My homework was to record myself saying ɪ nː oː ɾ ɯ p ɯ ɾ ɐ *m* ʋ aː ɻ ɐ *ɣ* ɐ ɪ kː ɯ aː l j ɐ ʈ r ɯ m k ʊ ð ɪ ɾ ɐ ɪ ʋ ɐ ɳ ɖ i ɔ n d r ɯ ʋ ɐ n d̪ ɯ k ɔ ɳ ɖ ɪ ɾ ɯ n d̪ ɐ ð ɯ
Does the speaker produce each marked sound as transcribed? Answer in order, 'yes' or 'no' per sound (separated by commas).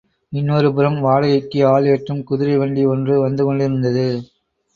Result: yes, yes